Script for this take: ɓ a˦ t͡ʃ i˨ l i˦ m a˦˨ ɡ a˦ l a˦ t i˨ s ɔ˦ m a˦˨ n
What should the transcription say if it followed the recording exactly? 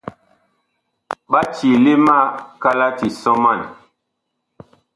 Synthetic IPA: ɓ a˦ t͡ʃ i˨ l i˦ m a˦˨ k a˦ l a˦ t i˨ s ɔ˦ m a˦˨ n